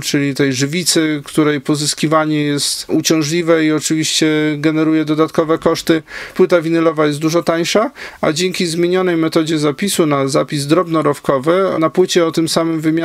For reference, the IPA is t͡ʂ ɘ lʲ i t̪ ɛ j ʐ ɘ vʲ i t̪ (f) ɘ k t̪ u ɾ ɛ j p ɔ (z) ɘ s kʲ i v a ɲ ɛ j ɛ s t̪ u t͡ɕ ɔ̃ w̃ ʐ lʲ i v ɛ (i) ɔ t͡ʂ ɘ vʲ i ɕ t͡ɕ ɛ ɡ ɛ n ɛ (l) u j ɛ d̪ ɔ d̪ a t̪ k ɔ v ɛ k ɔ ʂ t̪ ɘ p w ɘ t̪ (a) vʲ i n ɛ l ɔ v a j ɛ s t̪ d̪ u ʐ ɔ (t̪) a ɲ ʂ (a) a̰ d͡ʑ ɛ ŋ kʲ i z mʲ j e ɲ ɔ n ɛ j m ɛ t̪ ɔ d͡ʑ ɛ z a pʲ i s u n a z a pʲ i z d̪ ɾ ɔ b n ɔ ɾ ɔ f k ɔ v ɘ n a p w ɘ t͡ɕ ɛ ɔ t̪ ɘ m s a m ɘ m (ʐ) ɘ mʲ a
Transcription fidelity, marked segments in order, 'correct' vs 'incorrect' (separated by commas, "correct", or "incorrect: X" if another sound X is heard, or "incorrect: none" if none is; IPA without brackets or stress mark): incorrect: s, correct, correct, incorrect: ɾ, correct, correct, correct, incorrect: v